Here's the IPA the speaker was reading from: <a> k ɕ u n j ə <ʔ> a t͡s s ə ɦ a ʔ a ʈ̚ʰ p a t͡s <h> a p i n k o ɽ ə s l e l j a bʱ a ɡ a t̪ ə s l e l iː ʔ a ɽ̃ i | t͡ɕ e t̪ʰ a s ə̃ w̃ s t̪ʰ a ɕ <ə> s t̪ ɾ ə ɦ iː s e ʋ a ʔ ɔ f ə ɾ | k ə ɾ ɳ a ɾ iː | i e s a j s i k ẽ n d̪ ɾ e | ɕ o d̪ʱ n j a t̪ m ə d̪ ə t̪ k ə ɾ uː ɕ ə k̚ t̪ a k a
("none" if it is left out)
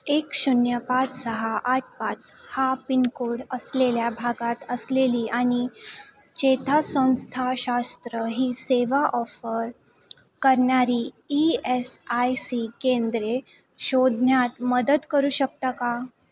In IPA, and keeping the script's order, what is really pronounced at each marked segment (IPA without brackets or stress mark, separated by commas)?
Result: e, p, h, a